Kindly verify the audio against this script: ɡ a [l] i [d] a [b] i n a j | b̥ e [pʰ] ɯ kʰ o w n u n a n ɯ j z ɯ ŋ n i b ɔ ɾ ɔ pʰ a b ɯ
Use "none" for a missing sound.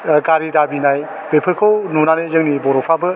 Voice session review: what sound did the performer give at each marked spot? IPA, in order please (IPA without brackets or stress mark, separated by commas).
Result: ɾ, d, b, pʰ